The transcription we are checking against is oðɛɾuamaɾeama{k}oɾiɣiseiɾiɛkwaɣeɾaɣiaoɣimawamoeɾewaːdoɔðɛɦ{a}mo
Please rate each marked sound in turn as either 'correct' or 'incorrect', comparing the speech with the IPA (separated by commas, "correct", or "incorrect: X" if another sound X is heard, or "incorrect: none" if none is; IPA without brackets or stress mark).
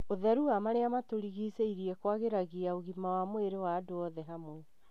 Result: incorrect: t, correct